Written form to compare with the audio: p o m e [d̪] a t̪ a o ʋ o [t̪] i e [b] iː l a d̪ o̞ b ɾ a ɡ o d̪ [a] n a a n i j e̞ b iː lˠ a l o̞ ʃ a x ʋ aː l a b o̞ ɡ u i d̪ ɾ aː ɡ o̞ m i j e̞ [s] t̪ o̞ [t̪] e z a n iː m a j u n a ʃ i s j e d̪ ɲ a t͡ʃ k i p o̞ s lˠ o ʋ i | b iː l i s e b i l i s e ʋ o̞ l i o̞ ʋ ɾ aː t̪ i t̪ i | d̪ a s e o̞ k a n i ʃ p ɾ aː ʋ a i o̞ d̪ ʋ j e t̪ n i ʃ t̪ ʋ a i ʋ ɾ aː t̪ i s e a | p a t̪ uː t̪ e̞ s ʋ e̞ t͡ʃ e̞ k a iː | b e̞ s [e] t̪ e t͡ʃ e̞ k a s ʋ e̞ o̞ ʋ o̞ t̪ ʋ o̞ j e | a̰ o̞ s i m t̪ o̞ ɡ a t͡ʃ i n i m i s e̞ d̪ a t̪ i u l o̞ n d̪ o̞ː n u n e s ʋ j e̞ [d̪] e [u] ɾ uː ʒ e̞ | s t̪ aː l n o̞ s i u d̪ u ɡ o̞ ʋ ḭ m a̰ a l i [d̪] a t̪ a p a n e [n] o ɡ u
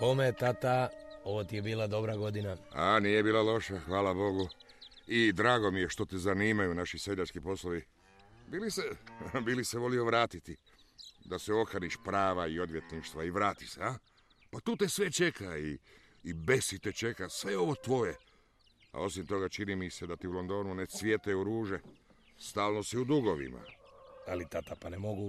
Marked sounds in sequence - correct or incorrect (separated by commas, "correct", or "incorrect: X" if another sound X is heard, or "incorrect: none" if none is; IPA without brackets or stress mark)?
incorrect: t̪, correct, correct, incorrect: i, incorrect: ʃ, correct, incorrect: i, incorrect: t̪, correct, incorrect: t̪, incorrect: m